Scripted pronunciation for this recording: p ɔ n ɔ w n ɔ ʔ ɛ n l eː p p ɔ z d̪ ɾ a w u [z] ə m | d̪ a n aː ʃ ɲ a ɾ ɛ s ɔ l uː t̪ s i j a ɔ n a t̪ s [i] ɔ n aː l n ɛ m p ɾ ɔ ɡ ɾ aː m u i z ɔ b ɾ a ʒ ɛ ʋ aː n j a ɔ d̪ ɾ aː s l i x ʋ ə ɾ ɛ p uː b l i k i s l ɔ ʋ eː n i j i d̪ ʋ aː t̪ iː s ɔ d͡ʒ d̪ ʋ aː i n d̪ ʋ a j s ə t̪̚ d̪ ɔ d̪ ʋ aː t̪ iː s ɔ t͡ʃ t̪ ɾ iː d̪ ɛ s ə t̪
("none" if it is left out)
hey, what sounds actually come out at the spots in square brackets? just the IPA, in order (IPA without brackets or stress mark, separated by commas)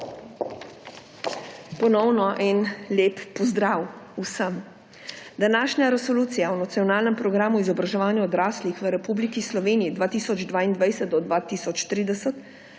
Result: s, i